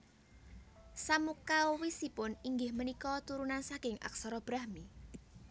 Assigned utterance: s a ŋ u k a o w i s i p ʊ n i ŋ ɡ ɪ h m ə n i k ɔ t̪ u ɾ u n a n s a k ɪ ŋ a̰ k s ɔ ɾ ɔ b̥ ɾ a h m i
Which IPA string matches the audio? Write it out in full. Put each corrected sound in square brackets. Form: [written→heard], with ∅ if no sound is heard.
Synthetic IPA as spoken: s a [ŋ→m] u k a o w i s i p ʊ n i ŋ ɡ ɪ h m ə n i k ɔ t̪ u ɾ u n a n s a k ɪ ŋ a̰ k s ɔ ɾ ɔ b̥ ɾ a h m i